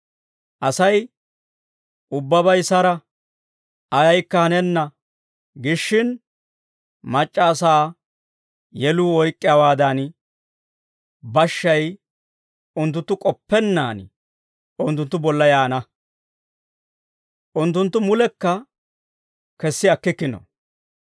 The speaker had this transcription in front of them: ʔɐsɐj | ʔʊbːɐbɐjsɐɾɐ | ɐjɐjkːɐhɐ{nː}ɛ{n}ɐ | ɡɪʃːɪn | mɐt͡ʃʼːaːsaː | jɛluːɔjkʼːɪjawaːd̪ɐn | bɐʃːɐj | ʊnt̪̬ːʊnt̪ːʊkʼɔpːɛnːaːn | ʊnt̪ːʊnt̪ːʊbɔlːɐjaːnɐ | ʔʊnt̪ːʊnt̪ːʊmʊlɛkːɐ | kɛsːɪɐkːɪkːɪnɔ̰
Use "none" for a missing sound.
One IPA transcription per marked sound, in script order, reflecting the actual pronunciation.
n, nː

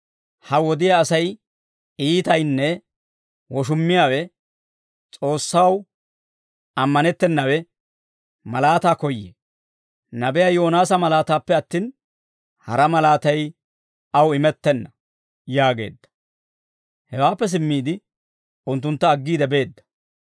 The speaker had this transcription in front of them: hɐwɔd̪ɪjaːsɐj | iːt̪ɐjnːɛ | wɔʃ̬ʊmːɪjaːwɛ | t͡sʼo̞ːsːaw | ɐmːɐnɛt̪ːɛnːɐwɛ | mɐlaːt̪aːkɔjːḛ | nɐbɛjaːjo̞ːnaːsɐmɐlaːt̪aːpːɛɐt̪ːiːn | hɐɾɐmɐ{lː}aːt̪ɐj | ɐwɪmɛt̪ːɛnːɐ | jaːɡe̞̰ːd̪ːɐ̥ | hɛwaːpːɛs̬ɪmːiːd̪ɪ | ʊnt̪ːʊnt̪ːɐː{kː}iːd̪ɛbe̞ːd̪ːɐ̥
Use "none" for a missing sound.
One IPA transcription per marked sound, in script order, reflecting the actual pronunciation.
l, ɡː

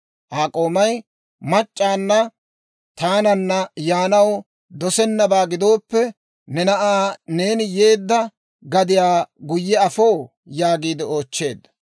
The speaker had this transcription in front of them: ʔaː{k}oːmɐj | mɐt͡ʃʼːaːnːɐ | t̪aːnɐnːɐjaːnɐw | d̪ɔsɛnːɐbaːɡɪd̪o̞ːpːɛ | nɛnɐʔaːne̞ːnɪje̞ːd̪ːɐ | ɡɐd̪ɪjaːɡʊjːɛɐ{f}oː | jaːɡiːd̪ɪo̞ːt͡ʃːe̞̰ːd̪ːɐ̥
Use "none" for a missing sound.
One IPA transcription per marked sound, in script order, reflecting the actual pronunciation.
kʼ, f

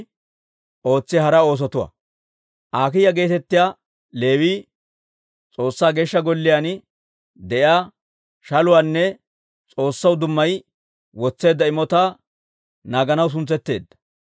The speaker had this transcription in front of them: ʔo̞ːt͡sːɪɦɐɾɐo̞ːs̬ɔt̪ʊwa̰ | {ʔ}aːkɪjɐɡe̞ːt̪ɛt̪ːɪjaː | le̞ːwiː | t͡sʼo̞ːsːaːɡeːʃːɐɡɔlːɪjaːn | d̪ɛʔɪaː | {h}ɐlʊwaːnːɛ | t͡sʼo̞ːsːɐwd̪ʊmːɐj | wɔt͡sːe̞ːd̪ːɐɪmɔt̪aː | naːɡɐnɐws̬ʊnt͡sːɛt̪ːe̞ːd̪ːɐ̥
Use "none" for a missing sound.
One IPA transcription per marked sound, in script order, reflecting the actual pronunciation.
ʔ, ʃ

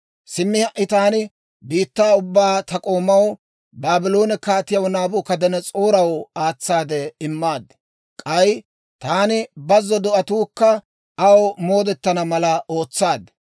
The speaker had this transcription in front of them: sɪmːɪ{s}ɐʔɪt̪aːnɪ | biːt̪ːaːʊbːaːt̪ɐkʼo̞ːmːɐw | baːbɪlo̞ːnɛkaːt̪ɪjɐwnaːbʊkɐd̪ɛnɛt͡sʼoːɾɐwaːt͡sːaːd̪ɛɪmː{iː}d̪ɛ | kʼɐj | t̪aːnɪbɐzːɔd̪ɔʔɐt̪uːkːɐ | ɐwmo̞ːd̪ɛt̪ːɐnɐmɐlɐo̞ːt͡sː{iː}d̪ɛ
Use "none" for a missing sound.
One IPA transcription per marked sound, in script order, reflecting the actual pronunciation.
h, aː, aː

